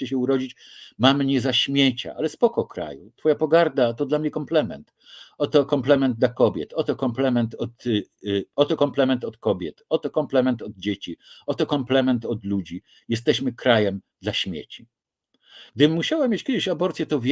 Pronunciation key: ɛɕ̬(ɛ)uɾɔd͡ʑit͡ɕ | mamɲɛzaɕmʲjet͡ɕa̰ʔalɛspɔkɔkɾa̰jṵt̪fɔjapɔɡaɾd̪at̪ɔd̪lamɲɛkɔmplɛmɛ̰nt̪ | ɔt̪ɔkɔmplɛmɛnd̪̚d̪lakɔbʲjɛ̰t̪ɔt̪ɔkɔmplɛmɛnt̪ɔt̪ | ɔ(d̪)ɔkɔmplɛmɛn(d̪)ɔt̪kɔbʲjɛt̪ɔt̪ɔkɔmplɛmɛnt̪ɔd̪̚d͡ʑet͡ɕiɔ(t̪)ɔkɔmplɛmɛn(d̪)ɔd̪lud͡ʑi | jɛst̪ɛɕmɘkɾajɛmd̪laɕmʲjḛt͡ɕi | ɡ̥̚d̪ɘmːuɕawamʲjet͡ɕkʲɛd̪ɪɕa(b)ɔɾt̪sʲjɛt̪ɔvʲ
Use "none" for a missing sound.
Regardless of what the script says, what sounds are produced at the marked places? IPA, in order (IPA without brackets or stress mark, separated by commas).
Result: ɛ, t̪, t̪, t̪, t̪, b